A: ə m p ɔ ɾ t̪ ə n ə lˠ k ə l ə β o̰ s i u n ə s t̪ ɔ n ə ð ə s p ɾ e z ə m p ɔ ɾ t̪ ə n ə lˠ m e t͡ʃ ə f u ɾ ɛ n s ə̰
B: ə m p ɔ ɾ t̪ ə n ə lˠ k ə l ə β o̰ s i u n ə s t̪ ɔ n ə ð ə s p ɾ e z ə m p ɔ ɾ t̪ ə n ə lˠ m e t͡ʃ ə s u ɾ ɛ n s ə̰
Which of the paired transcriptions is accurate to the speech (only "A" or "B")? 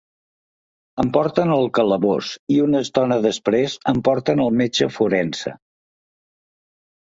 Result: A